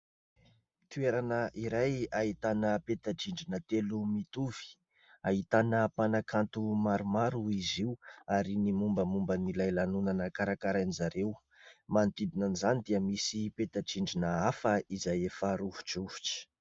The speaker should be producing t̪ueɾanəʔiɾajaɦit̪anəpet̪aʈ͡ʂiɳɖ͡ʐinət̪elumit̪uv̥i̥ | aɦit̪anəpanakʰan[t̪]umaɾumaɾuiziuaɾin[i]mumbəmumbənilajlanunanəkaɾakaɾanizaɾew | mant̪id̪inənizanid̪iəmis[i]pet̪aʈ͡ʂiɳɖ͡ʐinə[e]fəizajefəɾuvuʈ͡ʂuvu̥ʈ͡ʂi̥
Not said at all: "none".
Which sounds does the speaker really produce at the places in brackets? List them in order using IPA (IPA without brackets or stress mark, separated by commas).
t̪, i, i, a